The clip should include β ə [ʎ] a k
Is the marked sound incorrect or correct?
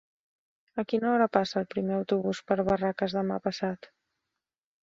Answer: incorrect